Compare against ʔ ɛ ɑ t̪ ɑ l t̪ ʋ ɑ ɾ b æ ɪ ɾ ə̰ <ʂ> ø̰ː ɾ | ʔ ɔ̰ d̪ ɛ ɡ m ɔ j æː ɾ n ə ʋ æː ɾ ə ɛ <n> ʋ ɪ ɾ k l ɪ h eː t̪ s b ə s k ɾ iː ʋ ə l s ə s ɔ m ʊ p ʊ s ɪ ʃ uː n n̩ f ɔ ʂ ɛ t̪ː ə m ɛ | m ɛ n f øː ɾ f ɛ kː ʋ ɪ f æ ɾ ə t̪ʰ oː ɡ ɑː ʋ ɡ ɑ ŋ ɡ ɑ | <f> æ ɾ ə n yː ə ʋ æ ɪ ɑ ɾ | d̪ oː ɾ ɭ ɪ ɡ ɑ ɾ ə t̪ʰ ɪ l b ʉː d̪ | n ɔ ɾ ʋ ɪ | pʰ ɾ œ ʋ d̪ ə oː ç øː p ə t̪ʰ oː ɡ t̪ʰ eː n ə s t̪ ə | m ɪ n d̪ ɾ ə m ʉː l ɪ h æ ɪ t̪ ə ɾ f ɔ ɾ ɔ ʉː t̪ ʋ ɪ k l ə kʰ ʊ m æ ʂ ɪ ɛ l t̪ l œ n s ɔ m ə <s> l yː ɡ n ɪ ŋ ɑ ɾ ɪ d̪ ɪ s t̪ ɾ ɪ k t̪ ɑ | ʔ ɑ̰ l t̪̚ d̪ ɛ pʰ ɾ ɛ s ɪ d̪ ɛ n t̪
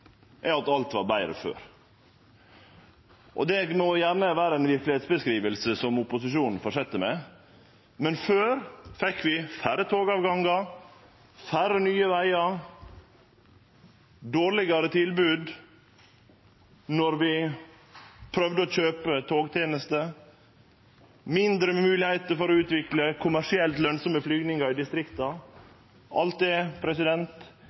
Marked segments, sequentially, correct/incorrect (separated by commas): incorrect, correct, correct, incorrect